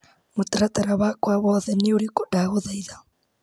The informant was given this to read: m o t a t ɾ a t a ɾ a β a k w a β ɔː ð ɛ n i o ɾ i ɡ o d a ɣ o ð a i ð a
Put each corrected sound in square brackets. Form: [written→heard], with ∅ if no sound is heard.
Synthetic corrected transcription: m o t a [t→∅] ɾ a t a ɾ a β a k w a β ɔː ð ɛ n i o ɾ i [ɡ→k] o d a ɣ o ð a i ð a